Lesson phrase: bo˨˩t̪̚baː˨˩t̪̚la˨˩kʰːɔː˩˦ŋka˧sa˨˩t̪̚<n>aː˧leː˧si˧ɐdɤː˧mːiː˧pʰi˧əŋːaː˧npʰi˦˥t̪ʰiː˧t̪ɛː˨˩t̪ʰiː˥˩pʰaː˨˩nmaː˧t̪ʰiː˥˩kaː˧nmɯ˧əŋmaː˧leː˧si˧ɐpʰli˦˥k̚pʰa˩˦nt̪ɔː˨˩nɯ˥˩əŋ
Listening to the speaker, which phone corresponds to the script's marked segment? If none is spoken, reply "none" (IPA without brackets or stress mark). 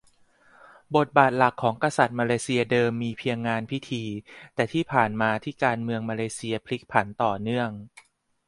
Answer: m